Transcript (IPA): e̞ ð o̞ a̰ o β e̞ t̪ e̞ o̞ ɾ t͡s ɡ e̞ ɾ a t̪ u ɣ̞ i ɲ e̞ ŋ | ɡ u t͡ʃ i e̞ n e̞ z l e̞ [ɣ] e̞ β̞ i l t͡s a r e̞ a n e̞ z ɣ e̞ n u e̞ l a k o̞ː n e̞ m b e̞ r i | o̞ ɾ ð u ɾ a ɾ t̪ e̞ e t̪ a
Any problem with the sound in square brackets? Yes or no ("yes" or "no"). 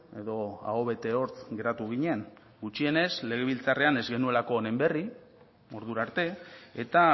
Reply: no